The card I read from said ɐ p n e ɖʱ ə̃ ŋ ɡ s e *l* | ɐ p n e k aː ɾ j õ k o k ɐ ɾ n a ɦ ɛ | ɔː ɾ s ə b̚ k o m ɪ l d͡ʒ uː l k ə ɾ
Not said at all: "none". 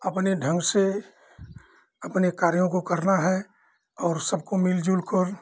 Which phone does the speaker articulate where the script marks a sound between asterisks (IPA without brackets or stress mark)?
none